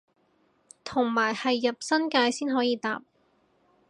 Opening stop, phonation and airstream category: aspirated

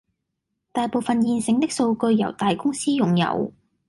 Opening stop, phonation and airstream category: plain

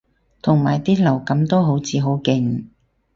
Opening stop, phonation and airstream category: aspirated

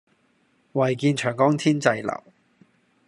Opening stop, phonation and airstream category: plain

